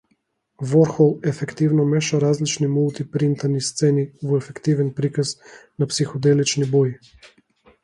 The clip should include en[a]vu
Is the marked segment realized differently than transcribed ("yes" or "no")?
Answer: yes